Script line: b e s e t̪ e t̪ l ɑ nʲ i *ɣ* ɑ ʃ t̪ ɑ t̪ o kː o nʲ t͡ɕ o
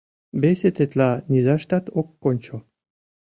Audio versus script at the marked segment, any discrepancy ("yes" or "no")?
yes